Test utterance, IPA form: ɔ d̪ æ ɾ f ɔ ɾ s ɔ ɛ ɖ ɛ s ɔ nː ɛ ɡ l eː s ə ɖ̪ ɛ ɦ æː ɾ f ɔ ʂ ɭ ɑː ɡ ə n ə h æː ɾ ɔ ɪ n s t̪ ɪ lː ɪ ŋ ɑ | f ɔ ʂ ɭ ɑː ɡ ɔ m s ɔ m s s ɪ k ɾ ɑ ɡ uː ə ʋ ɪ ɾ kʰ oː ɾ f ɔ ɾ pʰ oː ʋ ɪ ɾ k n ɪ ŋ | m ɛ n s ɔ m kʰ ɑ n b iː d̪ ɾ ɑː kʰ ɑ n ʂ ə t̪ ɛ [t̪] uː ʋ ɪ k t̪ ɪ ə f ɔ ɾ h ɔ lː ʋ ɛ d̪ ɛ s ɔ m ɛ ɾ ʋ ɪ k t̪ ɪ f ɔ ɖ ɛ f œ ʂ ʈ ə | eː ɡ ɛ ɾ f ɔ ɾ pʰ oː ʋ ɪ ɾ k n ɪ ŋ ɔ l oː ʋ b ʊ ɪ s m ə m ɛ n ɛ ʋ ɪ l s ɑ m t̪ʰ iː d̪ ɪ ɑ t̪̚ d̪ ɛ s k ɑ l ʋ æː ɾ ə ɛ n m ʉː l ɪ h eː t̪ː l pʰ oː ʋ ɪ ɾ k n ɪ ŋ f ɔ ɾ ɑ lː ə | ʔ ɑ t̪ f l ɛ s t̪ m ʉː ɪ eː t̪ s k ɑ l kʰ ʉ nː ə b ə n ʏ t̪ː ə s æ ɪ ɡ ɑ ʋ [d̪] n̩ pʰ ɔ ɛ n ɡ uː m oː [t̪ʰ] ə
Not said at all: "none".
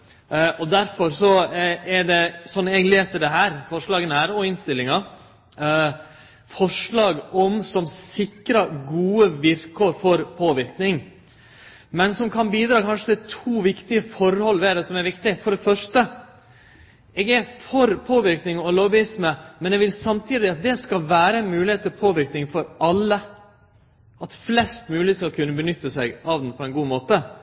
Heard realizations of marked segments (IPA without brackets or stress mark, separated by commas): t̪ʰ, d̪, t̪